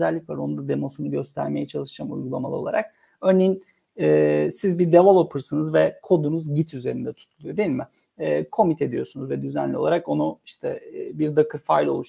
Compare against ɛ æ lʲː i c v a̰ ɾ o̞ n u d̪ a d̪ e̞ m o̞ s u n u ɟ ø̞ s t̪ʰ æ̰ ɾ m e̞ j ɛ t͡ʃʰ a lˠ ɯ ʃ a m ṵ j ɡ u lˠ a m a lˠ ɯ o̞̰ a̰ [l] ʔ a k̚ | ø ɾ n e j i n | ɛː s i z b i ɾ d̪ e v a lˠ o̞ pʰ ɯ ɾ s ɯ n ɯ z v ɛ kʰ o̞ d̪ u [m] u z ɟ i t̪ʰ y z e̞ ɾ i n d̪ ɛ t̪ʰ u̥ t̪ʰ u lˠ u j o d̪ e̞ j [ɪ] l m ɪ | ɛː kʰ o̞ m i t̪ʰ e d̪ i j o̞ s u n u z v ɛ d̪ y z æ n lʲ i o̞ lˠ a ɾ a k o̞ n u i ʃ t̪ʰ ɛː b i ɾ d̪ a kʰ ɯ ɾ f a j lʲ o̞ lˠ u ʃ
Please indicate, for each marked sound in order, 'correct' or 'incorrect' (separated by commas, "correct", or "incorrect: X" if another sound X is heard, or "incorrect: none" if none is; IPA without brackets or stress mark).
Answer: incorrect: ɾ, incorrect: n, incorrect: i